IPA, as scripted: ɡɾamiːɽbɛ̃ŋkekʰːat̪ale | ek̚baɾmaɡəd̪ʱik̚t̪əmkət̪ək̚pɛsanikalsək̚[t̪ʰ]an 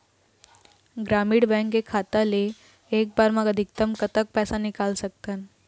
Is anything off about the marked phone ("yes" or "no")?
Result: yes